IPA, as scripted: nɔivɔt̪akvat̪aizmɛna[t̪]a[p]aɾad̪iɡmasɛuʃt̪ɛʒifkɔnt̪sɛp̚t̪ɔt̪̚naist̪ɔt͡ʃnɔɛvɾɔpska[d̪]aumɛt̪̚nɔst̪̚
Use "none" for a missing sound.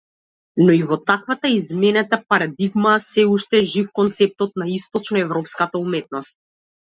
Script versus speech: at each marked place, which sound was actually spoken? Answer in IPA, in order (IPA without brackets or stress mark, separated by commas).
t̪, p, t̪